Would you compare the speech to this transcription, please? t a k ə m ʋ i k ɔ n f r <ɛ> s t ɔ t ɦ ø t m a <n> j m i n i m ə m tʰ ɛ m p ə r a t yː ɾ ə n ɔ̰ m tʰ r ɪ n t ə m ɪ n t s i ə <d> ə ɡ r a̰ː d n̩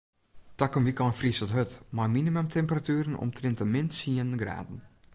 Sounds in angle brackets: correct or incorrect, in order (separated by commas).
incorrect, incorrect, incorrect